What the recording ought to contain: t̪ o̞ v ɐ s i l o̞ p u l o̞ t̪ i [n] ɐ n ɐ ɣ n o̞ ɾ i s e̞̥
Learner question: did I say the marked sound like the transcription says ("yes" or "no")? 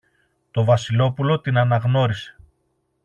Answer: yes